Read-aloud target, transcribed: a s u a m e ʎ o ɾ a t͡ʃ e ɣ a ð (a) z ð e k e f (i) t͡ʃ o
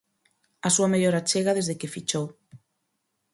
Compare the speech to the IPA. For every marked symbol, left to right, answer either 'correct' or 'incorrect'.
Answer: incorrect, correct

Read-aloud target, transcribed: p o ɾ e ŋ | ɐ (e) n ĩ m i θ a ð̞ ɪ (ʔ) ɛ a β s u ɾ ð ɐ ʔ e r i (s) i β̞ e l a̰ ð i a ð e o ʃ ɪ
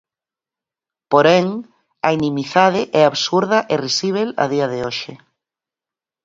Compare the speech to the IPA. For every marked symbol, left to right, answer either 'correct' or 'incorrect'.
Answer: incorrect, correct, correct

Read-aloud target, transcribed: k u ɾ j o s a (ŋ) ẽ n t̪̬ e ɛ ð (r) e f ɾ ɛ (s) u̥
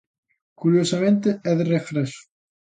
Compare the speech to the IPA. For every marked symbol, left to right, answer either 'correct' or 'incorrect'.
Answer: incorrect, correct, correct

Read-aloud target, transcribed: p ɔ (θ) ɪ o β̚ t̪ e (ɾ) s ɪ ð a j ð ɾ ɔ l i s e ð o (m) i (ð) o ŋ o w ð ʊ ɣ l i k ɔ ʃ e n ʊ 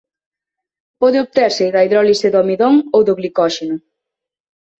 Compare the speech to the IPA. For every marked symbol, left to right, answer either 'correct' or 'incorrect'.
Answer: incorrect, correct, correct, correct

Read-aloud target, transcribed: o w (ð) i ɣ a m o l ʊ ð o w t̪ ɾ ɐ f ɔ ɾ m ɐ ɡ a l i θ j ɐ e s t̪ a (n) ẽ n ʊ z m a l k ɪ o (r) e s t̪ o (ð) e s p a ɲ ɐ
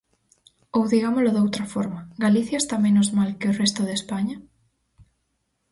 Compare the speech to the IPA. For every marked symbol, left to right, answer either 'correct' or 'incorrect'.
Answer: correct, incorrect, correct, correct

